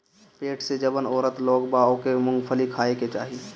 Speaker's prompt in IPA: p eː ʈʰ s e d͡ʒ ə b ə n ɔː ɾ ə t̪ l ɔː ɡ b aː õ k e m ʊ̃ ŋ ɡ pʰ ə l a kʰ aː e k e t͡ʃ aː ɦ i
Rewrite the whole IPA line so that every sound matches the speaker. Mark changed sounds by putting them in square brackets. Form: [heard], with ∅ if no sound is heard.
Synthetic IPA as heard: p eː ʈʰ s e d͡ʒ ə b ə n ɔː ɾ ə t̪ l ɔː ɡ b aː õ k e m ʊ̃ ŋ ɡ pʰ ə l [i] kʰ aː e k e t͡ʃ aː ɦ i